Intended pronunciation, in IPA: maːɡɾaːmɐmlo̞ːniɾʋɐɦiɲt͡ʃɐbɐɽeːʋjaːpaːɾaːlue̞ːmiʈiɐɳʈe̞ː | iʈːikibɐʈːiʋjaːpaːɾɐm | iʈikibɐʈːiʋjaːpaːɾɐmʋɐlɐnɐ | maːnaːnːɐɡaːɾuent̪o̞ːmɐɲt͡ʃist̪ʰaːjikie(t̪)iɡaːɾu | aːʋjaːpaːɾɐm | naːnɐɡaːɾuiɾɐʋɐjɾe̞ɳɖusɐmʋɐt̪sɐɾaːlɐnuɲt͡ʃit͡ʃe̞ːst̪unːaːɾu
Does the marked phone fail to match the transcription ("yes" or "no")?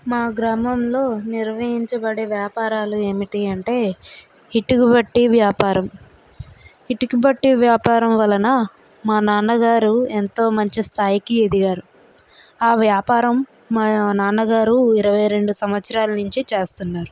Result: yes